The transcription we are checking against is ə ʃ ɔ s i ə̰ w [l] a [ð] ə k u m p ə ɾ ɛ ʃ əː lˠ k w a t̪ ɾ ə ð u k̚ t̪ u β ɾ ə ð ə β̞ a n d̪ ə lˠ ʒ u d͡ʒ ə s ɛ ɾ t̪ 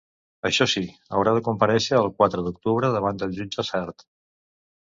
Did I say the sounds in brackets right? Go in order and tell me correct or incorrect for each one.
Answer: incorrect: ɾ, correct

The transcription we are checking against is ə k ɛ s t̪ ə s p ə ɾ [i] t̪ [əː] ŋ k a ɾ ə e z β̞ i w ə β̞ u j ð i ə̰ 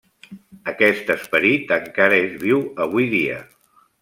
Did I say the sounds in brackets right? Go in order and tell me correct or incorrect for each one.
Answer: correct, incorrect: ə

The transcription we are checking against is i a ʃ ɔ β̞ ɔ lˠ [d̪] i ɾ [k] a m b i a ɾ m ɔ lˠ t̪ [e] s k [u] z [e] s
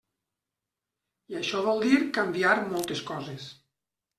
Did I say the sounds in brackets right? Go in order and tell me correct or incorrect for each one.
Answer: correct, correct, correct, incorrect: ɔ, correct

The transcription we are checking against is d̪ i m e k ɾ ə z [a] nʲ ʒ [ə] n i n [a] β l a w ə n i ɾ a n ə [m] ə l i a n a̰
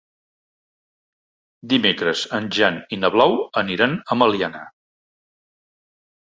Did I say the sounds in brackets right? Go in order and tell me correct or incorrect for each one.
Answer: incorrect: ə, incorrect: a, incorrect: ə, correct

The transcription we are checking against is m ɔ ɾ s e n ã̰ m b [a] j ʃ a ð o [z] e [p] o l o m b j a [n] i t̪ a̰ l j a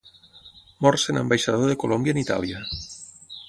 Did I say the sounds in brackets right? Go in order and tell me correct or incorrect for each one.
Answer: correct, incorrect: ð, incorrect: k, correct

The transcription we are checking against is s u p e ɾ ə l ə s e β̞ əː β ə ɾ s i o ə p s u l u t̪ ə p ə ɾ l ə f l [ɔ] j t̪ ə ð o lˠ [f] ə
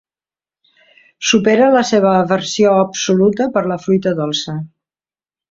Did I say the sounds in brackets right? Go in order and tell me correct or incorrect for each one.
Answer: incorrect: u, incorrect: s

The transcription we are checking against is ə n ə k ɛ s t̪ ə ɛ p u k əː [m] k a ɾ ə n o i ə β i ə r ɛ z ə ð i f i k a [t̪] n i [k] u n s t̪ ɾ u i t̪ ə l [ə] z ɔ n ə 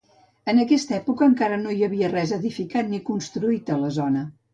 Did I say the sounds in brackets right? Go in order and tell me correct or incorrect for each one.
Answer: incorrect: ŋ, correct, correct, correct

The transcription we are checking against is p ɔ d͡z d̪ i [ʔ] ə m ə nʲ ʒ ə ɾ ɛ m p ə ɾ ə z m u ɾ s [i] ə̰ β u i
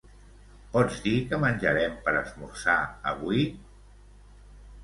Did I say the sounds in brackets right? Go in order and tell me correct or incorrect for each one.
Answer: incorrect: k, incorrect: a

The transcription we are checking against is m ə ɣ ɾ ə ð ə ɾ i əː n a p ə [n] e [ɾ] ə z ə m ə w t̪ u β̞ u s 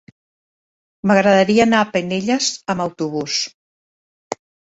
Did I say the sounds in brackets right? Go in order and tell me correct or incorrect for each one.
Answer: correct, incorrect: ʎ

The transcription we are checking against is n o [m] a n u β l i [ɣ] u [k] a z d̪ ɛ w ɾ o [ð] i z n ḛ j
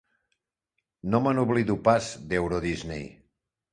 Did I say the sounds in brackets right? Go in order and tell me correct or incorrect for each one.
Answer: correct, incorrect: ð, incorrect: p, correct

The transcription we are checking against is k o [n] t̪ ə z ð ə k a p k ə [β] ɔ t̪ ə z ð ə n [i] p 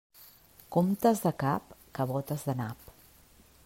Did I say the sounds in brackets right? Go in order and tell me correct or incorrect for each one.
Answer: incorrect: m, correct, incorrect: a

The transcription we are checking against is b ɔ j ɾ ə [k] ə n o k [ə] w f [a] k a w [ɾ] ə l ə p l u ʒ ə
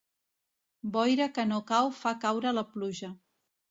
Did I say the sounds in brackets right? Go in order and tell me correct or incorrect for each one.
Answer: correct, incorrect: a, correct, correct

